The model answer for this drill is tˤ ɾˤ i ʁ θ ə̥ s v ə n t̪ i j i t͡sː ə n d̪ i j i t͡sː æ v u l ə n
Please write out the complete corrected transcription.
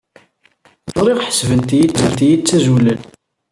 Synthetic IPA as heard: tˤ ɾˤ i ʁ ħ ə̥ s v ə n t̪ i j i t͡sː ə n t̪ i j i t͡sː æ z u l ə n